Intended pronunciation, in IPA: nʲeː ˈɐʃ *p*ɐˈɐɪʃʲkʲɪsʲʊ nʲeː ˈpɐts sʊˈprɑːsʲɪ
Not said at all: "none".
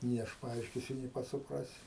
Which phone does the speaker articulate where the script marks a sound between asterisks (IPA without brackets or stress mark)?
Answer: p